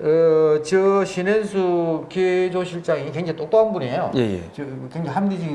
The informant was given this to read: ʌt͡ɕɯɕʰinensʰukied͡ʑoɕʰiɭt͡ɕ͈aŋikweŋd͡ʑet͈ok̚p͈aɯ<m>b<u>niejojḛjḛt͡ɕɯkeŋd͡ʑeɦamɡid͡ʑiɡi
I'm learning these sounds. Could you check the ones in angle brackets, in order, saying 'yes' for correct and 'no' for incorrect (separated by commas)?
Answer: no, yes